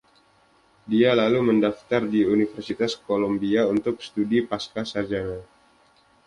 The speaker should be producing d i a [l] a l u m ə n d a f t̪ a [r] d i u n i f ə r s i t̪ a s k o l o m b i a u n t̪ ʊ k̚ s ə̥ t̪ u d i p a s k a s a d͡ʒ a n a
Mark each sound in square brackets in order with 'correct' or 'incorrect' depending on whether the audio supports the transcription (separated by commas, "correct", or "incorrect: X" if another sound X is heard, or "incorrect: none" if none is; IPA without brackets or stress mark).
correct, correct